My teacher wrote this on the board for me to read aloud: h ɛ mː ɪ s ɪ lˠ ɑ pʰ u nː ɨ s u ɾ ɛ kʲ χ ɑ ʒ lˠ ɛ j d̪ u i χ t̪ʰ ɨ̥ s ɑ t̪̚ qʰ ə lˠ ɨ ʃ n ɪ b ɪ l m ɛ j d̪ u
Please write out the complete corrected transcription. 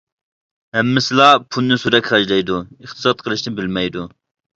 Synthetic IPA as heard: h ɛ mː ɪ s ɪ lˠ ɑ pʰ u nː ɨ s u ɾ ɛ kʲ χ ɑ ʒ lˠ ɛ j d̪ u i χ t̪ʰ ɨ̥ s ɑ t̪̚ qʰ ə lˠ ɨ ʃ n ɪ b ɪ l m ɛ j d̪ u